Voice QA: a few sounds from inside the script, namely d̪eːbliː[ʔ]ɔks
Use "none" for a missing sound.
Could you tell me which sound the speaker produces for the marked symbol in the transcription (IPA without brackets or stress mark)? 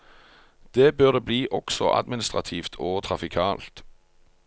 ʔ